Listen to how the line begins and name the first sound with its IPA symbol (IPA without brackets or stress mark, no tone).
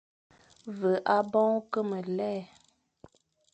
v